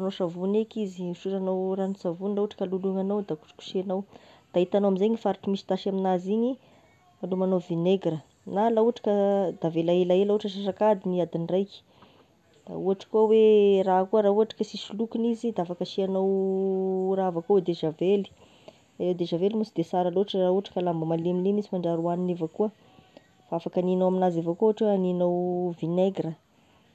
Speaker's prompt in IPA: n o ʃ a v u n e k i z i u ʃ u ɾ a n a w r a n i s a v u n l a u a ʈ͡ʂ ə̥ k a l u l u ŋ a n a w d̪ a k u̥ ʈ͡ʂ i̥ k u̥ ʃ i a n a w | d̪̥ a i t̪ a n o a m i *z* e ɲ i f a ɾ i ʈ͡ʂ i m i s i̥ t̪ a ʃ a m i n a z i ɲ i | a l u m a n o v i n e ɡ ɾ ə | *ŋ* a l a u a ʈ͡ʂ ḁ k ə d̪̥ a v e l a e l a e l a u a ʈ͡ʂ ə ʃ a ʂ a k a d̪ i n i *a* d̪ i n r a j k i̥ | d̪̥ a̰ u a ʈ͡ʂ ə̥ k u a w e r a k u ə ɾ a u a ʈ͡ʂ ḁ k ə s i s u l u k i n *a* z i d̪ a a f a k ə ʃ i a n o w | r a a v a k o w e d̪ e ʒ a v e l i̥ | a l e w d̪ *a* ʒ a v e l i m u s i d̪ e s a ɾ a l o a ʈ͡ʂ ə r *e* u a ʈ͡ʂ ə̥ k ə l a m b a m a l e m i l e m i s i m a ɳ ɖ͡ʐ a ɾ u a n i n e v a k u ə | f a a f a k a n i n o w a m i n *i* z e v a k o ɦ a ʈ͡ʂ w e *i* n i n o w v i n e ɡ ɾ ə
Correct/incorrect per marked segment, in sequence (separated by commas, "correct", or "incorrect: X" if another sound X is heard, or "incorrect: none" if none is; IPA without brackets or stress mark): correct, incorrect: n, correct, incorrect: i, incorrect: e, incorrect: a, incorrect: a, incorrect: a